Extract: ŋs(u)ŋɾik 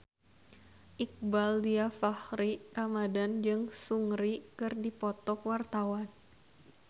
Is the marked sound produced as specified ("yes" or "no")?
yes